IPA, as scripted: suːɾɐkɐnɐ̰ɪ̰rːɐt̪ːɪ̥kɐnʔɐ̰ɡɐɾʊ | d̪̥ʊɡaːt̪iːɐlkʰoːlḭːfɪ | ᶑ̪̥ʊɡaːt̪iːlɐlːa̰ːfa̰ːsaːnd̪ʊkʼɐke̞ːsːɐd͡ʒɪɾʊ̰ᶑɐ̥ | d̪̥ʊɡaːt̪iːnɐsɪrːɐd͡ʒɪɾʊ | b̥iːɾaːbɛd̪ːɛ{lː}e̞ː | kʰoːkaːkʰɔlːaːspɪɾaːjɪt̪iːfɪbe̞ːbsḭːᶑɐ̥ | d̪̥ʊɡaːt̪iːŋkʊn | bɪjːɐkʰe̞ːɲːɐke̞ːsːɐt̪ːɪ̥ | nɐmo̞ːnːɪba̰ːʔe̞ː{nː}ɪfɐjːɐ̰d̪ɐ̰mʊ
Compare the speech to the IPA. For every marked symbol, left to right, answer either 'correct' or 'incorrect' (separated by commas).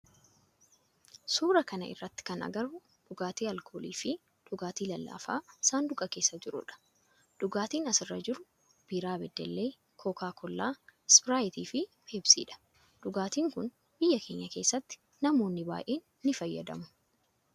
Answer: correct, correct